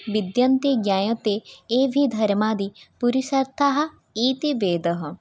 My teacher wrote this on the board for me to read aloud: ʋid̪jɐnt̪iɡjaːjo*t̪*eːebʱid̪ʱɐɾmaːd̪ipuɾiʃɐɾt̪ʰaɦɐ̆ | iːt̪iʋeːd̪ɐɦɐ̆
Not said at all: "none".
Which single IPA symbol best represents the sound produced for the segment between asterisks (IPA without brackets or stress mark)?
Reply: t̪